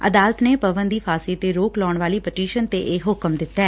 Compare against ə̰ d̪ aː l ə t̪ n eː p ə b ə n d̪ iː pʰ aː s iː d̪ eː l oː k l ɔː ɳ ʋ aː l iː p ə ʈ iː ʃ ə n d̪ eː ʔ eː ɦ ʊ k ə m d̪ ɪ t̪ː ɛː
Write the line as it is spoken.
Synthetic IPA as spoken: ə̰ d̪ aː l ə t̪ n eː p ə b ə n d̪ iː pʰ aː s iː t̪ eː ɾ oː k l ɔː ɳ ʋ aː l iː p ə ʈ iː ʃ ə n t̪ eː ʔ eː ɦ ʊ k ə m d̪ ɪ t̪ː ɛː